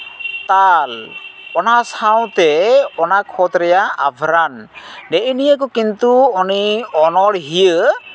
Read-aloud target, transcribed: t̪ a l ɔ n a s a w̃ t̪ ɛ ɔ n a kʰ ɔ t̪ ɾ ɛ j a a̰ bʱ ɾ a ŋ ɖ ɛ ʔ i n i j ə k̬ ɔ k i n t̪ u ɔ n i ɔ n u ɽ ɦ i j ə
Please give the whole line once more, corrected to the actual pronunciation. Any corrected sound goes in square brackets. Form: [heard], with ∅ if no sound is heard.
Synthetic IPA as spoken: t̪ a l ɔ n a s a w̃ t̪ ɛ ɔ n a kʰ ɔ t̪ ɾ ɛ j a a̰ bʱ ɾ a [n] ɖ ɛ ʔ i n i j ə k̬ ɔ k i n t̪ u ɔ n i ɔ n [ɔ] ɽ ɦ i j ə